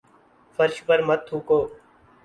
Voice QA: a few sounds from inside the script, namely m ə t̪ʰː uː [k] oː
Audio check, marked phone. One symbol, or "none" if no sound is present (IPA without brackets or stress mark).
k